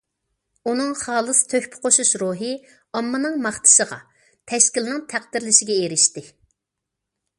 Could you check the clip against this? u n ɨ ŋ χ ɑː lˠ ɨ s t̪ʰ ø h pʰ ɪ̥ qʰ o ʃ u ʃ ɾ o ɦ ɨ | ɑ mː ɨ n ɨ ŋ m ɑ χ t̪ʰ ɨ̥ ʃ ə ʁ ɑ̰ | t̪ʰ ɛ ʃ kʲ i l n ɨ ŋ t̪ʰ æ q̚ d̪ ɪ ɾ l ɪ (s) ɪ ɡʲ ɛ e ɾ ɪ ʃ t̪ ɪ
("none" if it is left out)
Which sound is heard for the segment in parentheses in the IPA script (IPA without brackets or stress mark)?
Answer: ʃ